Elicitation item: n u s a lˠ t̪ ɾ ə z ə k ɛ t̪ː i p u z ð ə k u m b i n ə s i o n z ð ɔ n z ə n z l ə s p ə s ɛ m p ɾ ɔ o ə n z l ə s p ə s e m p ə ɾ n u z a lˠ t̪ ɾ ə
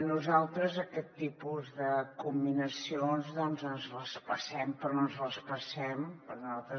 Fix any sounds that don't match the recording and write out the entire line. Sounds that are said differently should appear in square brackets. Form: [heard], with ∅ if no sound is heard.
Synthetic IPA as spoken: n u [z] a lˠ t̪ ɾ ə z ə k ɛ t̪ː i p u z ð ə k u m b i n ə s i o n z ð ɔ n z ə n z l ə s p ə s ɛ m p ɾ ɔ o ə n z l ə s p ə s [ɛ] m p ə ɾ n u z a lˠ t̪ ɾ ə